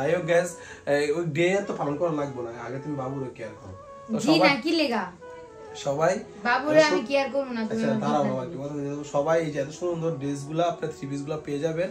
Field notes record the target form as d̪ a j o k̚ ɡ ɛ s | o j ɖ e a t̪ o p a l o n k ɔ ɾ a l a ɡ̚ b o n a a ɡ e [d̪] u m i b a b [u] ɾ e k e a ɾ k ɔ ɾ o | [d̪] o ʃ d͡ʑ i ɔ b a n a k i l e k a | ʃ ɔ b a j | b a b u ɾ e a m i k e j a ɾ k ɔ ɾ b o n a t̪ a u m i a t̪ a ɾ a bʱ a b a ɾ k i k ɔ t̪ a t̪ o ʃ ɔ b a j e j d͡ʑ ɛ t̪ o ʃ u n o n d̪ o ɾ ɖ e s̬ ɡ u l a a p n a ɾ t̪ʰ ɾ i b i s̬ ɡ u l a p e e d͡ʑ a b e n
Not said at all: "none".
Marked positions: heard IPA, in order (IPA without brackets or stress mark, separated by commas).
t̪, u, t̪